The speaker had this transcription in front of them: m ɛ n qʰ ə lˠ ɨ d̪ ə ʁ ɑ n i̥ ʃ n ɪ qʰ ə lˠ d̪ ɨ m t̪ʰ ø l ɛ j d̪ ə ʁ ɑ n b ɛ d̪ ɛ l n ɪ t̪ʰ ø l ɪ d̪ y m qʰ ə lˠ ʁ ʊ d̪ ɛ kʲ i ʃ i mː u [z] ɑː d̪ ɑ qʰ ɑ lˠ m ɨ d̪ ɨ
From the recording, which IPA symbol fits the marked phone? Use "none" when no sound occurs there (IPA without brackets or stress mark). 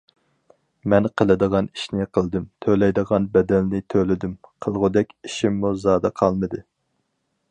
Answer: z